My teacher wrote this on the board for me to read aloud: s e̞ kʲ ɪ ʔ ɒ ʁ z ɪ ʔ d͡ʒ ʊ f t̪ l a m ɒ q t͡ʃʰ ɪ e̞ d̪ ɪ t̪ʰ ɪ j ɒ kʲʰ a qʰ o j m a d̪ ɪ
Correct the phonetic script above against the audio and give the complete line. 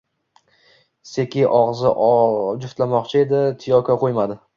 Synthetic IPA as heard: s e̞ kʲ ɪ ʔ ɒ ʁ z ɪ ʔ d͡ʒ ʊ f t̪ l a m ɒ q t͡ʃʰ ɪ e̞ d̪ ɪ t̪ʰ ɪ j ɒ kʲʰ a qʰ o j m a d̪ ɪ